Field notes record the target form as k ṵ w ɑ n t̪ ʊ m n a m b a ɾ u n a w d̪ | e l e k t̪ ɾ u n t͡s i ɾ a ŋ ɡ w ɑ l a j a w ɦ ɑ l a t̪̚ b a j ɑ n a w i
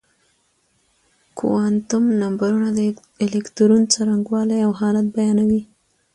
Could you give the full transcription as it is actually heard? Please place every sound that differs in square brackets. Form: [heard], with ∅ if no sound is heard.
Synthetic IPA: k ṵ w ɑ n t̪ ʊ m n a m b a ɾ u n a [∅] d̪ | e l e k t̪ ɾ u n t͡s [a] ɾ a ŋ ɡ w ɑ l a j a w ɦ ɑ l a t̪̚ b a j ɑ n a w i

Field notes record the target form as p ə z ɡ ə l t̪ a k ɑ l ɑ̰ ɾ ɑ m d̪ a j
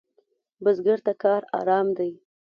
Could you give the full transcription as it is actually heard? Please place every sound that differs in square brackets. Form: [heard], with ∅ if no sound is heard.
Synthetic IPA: [b] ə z ɡ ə [ɾ] t̪ a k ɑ [ɾ] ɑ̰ ɾ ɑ m d̪ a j

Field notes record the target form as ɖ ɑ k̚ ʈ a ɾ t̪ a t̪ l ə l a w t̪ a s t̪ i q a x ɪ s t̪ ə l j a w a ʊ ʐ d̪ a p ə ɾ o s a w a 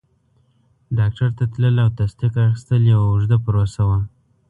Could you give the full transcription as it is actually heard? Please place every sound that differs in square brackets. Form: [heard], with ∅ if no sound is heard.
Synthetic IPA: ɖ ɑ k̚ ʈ a ɾ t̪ a t̪ l ə l a w t̪ a s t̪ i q a x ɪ s t̪ ə l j a w a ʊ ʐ d̪ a p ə ɾ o s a w a

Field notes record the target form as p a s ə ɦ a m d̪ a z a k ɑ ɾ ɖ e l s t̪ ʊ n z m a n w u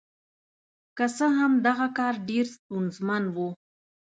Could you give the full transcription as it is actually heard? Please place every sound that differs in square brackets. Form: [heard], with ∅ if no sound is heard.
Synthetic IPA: [k] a s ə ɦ a m d̪ a [ɣ] a k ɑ ɾ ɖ e [ɾ] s t̪ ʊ n z m a n w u

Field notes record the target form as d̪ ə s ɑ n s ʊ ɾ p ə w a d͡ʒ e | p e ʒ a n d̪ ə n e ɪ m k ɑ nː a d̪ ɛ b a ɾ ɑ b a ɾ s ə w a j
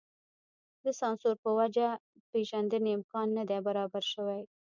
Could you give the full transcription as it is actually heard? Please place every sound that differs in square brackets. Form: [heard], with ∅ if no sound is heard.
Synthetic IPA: d̪ ə s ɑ n s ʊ ɾ p ə w a d͡ʒ [a] | p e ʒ a n d̪ ə n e ɪ m k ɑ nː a d̪ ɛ b a ɾ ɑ b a ɾ [ʃ] ə w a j

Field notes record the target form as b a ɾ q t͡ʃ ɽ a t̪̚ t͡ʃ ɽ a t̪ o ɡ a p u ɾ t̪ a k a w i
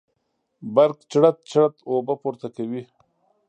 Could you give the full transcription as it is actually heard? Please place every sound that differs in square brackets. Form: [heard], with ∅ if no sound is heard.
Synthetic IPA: b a ɾ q t͡ʃ ɽ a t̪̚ t͡ʃ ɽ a t̪ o [b] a p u ɾ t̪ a k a w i

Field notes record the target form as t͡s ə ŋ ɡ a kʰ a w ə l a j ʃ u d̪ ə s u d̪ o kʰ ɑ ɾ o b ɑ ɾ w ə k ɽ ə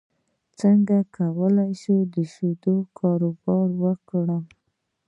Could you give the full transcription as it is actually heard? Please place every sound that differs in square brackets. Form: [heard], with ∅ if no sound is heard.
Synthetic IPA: t͡s ə ŋ ɡ a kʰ a w ə l a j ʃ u d̪ ə [ʃ] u d̪ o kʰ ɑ ɾ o b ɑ ɾ w ə k ɽ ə

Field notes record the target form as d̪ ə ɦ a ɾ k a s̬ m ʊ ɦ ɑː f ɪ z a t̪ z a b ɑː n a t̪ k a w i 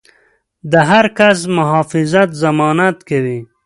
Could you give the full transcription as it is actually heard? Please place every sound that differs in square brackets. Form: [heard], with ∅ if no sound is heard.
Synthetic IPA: d̪ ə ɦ a ɾ k a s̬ m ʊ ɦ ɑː f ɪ z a t̪ z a [m] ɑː n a t̪ k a w i

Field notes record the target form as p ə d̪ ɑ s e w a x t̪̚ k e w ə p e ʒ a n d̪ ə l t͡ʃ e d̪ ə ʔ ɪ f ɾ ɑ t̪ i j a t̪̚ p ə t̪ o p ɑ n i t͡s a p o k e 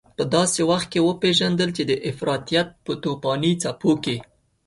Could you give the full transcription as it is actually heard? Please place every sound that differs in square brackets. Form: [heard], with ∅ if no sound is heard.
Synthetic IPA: p ə d̪ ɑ s e w a x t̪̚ k e w ə p e ʒ a n d̪ ə l t͡ʃ e d̪ ə ʔ ɪ f ɾ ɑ t̪ i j a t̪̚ p ə t̪ o p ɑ n i t͡s a p o k e

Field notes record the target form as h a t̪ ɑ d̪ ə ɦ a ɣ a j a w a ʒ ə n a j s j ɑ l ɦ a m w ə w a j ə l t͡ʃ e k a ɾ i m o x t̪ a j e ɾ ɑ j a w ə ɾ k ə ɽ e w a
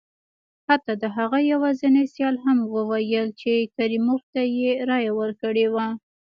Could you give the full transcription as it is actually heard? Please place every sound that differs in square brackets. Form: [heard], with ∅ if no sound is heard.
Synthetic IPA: h a t̪ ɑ d̪ ə ɦ a ɣ a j a w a [z] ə n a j s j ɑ l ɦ a m w ə w a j ə l t͡ʃ e k a ɾ i m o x t̪ a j e ɾ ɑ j a w ə ɾ k ə ɽ e w a

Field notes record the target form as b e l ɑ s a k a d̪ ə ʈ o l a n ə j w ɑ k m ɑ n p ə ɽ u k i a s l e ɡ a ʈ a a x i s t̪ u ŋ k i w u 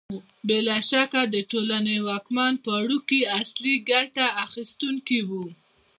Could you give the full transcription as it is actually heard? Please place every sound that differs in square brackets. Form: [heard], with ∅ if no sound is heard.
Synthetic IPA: b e l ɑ [ʃ] a k a d̪ ə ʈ o l a n ə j w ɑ k m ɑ n p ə ɽ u k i a s l [i] ɡ a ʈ a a x i s t̪ u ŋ k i w u

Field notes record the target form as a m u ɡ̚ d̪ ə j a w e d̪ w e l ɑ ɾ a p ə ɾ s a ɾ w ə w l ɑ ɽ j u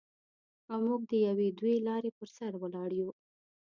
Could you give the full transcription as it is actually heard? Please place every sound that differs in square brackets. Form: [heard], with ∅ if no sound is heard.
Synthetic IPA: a m u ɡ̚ d̪ ə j a w e d̪ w e l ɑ ɾ [e] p ə ɾ s a ɾ w ə [∅] l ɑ ɽ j u

